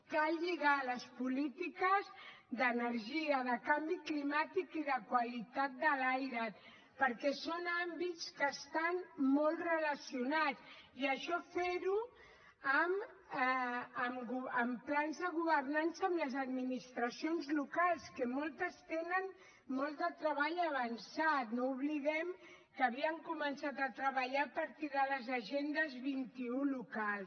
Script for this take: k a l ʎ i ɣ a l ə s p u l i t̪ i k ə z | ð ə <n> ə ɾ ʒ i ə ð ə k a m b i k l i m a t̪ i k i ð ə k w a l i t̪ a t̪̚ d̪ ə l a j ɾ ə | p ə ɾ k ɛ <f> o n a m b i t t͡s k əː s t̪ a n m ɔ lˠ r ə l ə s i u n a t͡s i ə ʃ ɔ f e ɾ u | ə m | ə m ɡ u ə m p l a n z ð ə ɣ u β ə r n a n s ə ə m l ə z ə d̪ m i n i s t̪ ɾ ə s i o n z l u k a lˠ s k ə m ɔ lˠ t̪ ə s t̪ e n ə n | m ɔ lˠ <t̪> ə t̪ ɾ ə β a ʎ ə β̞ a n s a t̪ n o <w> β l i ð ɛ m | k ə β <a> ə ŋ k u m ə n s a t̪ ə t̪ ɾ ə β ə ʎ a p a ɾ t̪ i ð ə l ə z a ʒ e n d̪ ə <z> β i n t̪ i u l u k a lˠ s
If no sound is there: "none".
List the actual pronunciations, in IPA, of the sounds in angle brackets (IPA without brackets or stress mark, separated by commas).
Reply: n, s, d̪, u, i, z